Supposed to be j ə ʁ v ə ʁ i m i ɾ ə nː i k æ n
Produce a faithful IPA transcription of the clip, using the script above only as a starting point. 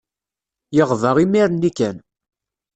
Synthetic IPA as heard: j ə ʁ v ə ʁ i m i ɾ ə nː i k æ n